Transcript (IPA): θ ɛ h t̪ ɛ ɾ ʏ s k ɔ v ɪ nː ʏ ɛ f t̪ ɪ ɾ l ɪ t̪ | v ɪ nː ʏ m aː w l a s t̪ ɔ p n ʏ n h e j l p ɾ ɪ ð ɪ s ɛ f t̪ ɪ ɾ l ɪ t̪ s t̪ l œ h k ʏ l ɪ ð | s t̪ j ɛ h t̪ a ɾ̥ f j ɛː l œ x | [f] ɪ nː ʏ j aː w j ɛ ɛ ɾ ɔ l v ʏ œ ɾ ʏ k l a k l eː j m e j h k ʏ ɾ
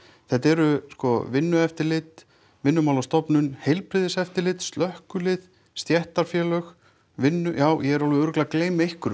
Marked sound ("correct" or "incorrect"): incorrect